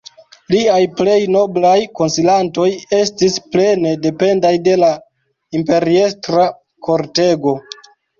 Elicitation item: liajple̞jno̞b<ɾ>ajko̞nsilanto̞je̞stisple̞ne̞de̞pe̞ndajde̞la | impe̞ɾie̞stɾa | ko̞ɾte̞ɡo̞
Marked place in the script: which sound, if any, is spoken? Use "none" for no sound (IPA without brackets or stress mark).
l